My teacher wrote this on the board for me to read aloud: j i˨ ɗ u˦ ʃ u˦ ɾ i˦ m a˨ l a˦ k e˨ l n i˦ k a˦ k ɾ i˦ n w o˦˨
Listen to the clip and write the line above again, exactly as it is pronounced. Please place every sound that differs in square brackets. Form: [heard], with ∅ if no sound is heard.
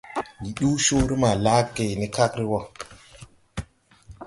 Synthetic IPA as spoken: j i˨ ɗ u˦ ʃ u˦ ɾ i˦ m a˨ l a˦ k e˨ [∅] n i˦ k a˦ k ɾ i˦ [∅] w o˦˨